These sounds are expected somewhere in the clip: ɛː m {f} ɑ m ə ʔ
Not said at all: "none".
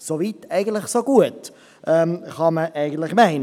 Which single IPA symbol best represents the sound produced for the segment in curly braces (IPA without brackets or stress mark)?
χ